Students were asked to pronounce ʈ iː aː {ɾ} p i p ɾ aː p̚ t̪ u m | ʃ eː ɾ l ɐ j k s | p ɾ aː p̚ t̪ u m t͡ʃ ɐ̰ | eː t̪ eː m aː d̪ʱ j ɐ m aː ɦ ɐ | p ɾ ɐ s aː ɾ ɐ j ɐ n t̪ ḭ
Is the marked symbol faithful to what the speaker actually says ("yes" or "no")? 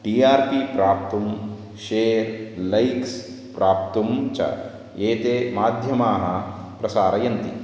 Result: yes